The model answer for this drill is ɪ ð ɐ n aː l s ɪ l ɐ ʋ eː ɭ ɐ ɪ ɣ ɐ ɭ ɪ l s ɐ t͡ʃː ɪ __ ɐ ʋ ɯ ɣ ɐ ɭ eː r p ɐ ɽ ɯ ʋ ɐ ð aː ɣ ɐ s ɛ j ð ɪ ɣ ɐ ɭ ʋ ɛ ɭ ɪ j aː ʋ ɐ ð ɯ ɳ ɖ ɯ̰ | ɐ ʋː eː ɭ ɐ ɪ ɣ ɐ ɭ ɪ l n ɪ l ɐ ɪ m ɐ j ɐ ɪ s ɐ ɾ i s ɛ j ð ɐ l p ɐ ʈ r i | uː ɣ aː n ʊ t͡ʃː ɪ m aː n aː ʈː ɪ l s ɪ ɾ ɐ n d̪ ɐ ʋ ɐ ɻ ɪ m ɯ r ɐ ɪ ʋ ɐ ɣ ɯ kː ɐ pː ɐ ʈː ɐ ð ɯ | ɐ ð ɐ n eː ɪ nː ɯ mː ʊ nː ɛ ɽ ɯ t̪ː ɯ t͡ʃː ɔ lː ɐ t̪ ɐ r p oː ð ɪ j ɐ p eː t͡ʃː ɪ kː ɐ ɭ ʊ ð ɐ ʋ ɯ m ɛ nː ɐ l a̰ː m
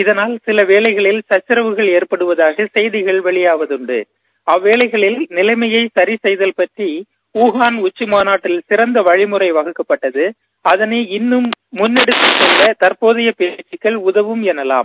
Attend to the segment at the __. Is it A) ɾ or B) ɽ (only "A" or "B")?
A